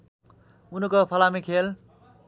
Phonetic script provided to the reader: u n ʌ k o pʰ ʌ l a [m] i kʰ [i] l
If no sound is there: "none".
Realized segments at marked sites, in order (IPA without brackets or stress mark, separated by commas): m, e